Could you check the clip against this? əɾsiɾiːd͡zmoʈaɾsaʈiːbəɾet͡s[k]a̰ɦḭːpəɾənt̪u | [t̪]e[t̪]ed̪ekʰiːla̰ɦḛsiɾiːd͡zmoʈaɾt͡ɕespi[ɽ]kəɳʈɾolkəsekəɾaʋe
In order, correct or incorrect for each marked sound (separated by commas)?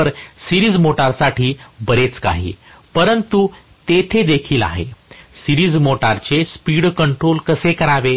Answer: correct, correct, incorrect, correct